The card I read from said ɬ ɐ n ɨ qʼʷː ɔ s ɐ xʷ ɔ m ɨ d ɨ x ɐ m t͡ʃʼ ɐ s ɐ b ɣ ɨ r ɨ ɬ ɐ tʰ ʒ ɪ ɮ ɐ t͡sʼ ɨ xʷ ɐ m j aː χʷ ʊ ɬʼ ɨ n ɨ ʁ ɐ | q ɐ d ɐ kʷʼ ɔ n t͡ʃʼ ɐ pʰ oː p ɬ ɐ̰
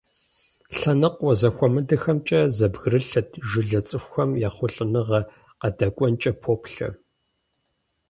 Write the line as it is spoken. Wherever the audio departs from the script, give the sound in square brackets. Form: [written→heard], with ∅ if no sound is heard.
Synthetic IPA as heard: ɬ ɐ n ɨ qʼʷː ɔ [s→z] ɐ xʷ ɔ m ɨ d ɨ x ɐ m t͡ʃʼ ɐ [s→z] ɐ b ɣ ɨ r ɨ ɬ ɐ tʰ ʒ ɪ ɮ ɐ t͡sʼ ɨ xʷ ɐ m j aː χʷ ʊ ɬʼ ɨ n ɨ ʁ ɐ | q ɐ d ɐ kʷʼ ɔ n t͡ʃʼ ɐ pʰ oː p ɬ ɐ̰